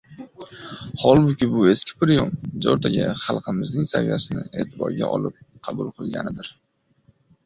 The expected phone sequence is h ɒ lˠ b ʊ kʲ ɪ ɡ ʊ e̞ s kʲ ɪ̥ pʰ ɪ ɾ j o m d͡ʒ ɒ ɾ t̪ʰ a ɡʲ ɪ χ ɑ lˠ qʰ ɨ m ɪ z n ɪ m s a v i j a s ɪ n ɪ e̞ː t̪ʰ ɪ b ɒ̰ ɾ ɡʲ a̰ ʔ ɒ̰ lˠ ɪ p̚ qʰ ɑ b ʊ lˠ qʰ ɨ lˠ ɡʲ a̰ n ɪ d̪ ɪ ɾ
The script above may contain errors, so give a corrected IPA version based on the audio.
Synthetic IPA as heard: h ɒ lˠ b ʊ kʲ ɪ b ʊ e̞ s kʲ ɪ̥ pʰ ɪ ɾ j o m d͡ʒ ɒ ɾ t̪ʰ a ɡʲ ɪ χ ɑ lˠ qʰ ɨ m ɪ z n ɪ ŋ s a v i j a s ɪ n ɪ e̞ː t̪ʰ ɪ b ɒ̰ ɾ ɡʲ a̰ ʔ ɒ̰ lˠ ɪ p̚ qʰ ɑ b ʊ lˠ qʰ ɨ lˠ ɡʲ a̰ n ɪ d̪ ɪ ɾ

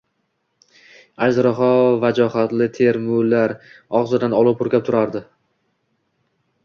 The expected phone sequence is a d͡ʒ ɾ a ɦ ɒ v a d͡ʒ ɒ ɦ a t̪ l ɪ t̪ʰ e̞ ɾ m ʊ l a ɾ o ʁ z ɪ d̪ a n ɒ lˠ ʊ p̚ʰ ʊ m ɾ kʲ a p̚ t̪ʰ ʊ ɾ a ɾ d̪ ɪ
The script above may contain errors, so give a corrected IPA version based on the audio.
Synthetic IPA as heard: a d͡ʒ ɾ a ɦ ɒ v a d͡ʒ ɒ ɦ a t̪ l ɪ t̪ʰ e̞ ɾ m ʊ l a ɾ ɒ ʁ z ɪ d̪ a n ɒ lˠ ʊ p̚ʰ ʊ ɾ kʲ a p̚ t̪ʰ ʊ ɾ a ɾ d̪ ɪ

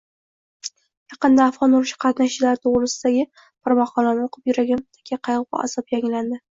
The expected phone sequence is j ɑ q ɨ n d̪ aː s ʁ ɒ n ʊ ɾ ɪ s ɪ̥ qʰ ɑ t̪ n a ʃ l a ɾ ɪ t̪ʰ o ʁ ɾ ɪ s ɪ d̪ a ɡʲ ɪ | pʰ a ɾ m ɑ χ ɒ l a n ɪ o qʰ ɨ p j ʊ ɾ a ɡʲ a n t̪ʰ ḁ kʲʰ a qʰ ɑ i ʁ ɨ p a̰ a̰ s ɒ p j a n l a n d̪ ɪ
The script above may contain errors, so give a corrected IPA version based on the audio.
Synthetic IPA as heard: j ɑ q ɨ n d̪ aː f ʁ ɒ n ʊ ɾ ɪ ʃ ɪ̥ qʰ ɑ t̪ n a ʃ l a ɾ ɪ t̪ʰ o ʁ ɾ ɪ s ɪ d̪ a ɡʲ ɪ | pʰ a ɾ m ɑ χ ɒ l a n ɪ o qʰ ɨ p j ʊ ɾ a ɡʲ a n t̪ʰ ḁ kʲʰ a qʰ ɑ j ʁ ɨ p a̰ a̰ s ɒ p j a ŋ l a n d̪ ɪ

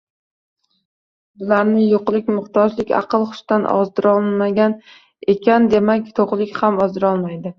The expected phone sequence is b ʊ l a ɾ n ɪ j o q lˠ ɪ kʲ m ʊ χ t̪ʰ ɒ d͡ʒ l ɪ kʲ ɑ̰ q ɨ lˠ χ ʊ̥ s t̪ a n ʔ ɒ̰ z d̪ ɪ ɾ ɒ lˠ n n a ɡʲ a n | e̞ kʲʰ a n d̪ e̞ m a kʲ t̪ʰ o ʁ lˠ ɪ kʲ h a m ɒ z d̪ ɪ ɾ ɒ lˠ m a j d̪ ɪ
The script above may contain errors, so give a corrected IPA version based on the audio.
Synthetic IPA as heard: b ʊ l a ɾ n ɪ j o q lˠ ɪ kʲ m ʊ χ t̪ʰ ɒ d͡ʒ l ɪ kʲ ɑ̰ q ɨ lˠ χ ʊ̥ ʃ t̪ a n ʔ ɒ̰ z d̪ ɪ ɾ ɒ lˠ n m a ɡʲ a n | e̞ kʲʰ a n d̪ e̞ m a kʲ t̪ʰ o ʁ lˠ ɪ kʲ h a m ɒ z d̪ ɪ ɾ ɒ lˠ m a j d̪ ɪ

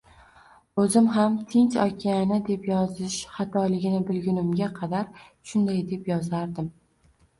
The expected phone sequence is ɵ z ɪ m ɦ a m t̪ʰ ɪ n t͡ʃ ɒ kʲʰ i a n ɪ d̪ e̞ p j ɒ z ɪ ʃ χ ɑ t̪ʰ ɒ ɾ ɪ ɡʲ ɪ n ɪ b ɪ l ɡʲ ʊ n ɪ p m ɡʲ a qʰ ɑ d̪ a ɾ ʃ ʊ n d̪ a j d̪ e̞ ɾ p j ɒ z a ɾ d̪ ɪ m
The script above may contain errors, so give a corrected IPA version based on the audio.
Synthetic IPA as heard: ɵ z ɪ m ɦ a m t̪ʰ ɪ n t͡ʃ ɒ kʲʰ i a n ɪ d̪ e̞ p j ɒ z ɪ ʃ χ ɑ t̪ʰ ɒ l ɪ ɡʲ ɪ n ɪ b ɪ l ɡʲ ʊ n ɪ m ɡʲ a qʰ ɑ d̪ a ɾ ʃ ʊ n d̪ a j d̪ e̞ p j ɒ z a ɾ d̪ ɪ m

